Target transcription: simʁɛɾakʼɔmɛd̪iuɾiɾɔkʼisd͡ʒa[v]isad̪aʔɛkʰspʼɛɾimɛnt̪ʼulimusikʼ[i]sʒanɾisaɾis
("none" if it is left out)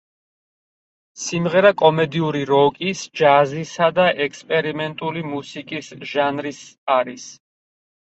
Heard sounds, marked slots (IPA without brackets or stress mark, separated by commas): z, i